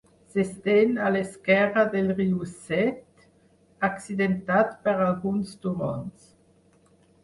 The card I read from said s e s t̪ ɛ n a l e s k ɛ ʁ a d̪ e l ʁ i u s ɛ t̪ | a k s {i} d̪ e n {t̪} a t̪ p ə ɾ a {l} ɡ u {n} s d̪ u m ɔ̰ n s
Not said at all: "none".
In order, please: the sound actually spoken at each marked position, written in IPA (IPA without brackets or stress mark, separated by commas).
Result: i, t̪, l, n